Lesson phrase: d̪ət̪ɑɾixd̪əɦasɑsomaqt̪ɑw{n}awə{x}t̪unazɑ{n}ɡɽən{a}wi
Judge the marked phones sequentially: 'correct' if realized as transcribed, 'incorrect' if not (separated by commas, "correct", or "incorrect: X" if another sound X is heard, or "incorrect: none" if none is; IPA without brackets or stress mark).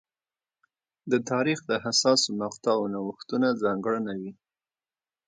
correct, correct, incorrect: ŋ, correct